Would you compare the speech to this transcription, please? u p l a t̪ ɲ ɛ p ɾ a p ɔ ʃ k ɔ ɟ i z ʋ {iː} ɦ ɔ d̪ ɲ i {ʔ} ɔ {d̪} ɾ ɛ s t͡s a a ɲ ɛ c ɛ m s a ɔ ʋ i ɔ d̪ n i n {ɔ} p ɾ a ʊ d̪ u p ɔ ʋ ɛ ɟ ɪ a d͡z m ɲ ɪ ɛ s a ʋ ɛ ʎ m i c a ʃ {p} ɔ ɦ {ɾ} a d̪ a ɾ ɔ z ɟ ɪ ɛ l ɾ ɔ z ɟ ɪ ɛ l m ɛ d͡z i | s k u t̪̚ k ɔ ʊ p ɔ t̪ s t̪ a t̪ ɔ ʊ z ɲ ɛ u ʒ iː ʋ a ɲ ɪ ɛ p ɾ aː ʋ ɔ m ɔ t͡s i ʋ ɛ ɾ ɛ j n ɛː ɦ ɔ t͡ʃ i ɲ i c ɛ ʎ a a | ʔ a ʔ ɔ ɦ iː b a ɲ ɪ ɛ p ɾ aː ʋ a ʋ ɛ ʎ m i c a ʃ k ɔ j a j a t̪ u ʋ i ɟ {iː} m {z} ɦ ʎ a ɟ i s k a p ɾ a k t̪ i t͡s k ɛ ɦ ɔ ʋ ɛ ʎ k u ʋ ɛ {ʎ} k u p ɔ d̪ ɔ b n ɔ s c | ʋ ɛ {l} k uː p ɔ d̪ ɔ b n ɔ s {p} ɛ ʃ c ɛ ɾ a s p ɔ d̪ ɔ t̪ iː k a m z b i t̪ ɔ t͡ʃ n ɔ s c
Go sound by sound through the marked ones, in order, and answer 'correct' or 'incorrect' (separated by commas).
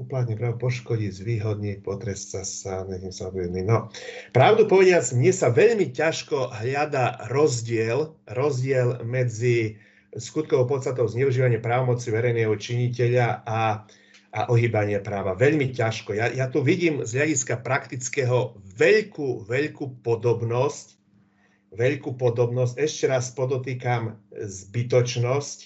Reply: correct, incorrect, incorrect, correct, incorrect, incorrect, correct, correct, correct, incorrect, incorrect